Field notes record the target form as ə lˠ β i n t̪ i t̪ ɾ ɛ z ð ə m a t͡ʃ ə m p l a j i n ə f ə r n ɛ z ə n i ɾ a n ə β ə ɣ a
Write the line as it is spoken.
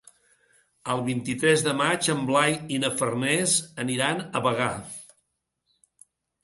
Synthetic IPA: ə lˠ β i n t̪ i t̪ ɾ ɛ z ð ə m a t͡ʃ ə m b l a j i n ə f ə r n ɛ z ə n i ɾ a n ə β ə ɣ a